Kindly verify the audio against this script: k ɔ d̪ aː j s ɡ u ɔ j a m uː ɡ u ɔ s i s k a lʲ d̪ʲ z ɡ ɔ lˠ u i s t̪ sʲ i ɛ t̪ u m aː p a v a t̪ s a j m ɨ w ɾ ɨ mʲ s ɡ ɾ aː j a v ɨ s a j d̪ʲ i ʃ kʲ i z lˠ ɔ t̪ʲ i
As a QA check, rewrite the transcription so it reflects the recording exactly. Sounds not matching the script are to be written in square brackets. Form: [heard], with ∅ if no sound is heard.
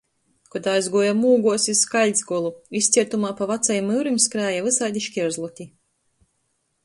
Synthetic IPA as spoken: k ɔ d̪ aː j [z] ɡ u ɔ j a m uː ɡ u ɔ s i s k a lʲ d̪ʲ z ɡ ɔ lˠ u i s t̪ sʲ i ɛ t̪ u m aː p a v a t̪ s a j m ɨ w ɾ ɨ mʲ s [k] ɾ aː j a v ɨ s a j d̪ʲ i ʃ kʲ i z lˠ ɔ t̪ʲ i